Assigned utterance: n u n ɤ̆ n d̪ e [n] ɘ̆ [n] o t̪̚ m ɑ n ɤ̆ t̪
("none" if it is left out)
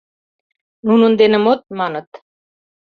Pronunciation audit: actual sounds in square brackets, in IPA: n, m

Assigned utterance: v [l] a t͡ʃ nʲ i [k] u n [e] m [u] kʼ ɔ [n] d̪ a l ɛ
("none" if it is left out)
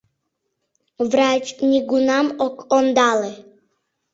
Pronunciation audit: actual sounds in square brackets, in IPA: ɾ, ɡ, a, ɔ, n

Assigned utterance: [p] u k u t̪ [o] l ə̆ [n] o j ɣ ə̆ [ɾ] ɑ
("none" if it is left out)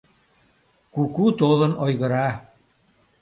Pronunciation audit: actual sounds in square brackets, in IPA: k, o, n, ɾ

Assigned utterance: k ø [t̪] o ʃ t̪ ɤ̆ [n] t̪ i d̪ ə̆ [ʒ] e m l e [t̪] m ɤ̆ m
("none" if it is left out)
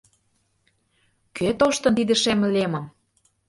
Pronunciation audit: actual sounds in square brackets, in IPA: t̪, n, ʃ, none

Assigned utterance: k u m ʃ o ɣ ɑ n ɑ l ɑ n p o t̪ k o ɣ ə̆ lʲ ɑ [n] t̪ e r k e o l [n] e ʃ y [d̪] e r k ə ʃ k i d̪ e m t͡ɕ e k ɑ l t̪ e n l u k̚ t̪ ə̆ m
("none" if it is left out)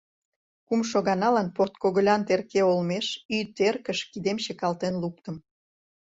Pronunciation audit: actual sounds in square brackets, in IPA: n, m, t̪

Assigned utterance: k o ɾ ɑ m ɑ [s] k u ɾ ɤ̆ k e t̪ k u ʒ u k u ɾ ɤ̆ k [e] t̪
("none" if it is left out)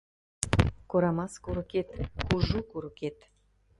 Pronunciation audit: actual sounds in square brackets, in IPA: s, e

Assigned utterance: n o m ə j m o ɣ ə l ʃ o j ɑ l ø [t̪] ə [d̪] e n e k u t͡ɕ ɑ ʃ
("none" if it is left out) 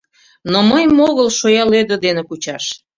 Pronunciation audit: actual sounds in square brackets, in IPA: d̪, d̪

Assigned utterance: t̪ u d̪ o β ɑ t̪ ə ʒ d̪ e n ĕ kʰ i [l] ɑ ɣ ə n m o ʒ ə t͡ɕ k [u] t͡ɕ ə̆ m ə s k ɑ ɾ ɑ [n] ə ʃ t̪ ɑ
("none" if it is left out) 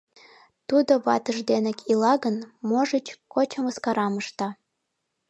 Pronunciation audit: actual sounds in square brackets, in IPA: l, o, m

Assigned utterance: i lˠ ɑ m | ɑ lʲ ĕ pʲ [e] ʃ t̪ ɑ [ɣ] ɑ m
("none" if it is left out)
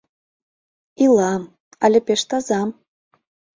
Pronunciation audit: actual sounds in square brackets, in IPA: e, z

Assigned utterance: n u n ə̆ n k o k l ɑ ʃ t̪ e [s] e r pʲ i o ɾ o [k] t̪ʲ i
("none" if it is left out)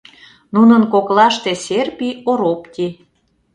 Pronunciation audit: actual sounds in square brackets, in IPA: s, p

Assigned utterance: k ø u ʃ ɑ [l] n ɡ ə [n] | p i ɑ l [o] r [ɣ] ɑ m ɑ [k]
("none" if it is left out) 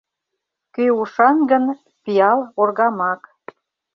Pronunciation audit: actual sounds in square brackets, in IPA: none, n, o, ɣ, k

